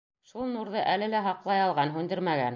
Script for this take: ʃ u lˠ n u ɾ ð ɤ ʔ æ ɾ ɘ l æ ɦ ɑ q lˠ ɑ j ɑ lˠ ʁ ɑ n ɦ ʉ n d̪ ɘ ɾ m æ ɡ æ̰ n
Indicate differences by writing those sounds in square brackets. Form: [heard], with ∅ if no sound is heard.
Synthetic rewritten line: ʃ u lˠ n u ɾ ð ɤ ʔ æ [l] ɘ l æ ɦ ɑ q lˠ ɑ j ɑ lˠ ʁ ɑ n ɦ ʉ n d̪ ɘ ɾ m æ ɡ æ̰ n